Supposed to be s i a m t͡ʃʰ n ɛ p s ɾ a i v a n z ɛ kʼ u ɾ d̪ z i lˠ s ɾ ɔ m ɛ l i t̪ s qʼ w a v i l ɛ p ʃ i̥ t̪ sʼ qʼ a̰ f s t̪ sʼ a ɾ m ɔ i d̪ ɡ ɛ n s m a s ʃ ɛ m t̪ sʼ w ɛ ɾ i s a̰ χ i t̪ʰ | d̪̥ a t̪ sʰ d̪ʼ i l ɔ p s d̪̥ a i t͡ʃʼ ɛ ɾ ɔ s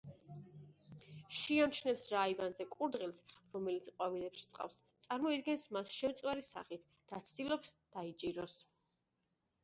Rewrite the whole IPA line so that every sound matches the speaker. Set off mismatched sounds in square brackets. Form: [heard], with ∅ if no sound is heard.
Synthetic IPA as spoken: [ʃ] i a m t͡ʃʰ n ɛ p s ɾ a i v a n z ɛ kʼ u ɾ d̪ [ʁ] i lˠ s ɾ ɔ m ɛ l i t̪ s qʼ w a v i l ɛ p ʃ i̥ t̪ sʼ qʼ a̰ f s t̪ sʼ a ɾ m ɔ i d̪ ɡ ɛ n s m a s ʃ ɛ m t̪ sʼ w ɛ ɾ i s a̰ χ i t̪ʰ | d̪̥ a t̪ sʰ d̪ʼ i l ɔ p s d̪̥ a i t͡ʃʼ [i] ɾ ɔ s